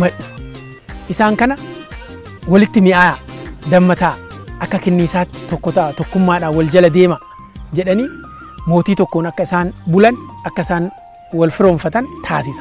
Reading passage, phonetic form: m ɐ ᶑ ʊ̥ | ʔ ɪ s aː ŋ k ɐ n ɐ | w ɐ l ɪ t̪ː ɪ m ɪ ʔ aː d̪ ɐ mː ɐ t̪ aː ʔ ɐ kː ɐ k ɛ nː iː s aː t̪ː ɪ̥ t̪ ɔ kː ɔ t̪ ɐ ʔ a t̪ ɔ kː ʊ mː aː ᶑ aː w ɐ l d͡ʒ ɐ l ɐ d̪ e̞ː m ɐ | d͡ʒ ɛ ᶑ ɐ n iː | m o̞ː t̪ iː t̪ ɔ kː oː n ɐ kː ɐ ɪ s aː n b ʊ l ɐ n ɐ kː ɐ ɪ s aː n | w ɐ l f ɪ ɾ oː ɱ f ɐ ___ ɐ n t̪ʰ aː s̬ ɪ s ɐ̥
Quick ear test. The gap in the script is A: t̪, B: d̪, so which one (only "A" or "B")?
A